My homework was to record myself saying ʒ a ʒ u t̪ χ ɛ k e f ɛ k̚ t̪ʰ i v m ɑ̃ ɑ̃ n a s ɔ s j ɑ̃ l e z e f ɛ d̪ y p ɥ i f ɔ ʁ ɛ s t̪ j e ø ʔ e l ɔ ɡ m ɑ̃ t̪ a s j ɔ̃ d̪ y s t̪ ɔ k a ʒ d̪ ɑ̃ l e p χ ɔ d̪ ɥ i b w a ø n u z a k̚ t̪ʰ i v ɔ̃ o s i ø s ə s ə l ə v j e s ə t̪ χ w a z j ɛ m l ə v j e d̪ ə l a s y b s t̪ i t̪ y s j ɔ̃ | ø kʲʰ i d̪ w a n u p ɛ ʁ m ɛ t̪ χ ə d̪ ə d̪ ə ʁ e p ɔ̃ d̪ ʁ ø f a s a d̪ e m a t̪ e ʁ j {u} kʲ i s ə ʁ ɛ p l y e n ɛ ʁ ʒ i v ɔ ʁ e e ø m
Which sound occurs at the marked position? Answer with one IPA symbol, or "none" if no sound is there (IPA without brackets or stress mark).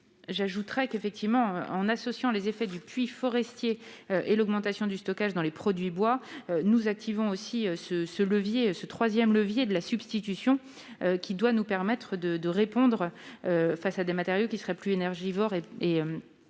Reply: o